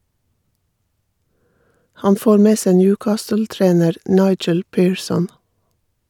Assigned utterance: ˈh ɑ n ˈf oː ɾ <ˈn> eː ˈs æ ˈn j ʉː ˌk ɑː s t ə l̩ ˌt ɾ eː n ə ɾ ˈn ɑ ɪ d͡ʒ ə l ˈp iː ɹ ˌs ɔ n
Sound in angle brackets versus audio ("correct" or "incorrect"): incorrect